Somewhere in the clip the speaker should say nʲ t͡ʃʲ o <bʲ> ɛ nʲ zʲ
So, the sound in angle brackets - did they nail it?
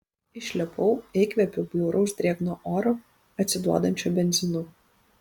yes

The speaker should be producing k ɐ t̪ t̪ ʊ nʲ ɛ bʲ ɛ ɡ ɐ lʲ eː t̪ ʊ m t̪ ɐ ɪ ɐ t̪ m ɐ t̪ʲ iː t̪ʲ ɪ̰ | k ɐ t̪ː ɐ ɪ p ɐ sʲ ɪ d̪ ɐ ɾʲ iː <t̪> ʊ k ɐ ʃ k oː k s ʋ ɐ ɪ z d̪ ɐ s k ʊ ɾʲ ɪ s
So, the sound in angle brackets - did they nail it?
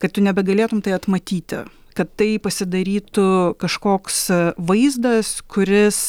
yes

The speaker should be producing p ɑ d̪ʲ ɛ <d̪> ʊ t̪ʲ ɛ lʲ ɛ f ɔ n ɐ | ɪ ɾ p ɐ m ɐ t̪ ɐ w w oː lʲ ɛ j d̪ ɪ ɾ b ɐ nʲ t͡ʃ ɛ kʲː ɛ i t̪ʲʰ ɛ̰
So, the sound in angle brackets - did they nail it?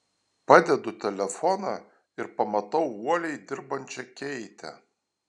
yes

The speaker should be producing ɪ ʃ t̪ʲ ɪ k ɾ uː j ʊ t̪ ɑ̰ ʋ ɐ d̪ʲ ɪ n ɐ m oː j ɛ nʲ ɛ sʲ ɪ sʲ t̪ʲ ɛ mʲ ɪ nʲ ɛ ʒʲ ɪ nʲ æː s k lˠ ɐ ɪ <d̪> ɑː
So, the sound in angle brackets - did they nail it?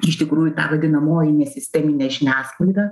yes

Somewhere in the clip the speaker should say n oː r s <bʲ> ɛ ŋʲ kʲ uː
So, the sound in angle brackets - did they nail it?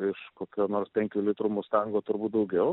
no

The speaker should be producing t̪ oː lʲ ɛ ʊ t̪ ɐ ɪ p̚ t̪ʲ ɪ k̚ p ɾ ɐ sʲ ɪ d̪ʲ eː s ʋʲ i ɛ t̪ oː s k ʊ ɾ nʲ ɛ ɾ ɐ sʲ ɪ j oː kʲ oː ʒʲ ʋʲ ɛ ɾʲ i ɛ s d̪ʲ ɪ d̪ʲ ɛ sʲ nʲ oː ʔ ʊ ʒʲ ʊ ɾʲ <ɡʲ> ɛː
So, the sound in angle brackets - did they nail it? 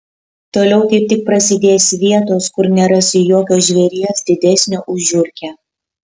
no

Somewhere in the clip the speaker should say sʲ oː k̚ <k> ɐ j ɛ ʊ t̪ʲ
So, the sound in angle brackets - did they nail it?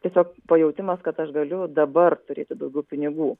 no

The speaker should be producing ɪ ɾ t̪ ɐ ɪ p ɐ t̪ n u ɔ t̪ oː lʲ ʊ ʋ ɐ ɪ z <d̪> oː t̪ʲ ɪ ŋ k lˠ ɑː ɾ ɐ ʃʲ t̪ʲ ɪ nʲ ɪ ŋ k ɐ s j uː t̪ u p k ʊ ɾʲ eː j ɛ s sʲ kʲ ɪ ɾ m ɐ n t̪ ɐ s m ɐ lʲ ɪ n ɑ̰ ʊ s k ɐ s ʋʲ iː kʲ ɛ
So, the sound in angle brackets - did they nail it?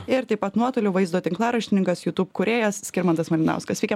yes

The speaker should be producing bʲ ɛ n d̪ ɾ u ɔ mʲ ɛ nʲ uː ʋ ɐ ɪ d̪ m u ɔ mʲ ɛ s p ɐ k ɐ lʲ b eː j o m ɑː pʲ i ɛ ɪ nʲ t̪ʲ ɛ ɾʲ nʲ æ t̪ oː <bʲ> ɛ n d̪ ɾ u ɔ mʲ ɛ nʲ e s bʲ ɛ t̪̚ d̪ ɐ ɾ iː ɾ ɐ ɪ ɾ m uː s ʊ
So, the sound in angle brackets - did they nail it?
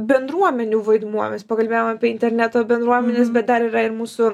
yes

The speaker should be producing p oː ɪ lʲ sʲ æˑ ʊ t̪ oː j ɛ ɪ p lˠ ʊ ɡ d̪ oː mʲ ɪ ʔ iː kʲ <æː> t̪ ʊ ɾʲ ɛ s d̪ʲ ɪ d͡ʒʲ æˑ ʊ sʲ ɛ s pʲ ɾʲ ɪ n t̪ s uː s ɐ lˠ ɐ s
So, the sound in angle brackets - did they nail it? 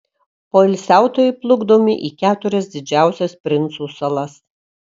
yes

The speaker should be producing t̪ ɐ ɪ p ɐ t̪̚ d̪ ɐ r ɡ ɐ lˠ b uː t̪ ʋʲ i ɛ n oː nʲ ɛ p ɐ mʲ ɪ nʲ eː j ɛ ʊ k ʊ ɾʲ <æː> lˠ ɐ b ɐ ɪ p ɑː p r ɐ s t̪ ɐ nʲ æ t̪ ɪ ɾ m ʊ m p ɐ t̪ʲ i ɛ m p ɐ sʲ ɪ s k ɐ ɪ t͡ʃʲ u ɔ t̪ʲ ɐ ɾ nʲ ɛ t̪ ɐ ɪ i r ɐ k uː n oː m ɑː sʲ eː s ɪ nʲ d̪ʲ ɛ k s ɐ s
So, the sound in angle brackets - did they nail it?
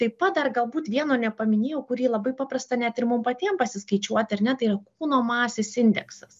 no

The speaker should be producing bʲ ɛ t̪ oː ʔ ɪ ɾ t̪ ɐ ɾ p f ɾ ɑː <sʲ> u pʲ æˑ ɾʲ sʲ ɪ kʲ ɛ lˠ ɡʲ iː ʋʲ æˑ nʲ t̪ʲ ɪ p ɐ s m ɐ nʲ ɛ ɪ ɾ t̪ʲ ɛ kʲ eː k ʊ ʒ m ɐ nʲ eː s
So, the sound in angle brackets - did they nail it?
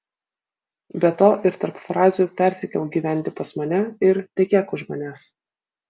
no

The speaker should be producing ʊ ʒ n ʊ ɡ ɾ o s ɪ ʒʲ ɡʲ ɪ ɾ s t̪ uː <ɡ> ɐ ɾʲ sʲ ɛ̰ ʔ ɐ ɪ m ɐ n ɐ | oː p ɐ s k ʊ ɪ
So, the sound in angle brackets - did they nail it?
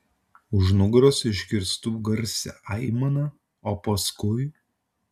yes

